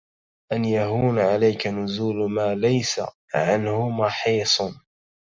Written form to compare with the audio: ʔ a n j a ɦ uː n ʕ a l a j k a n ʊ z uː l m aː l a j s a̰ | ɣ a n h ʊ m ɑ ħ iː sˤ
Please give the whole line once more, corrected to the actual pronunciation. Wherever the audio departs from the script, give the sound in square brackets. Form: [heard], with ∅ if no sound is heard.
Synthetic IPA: ʔ a n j a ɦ uː n ʕ a l a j k a n ʊ z uː l m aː l a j s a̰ | [ʕ] a n h ʊ m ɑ ħ iː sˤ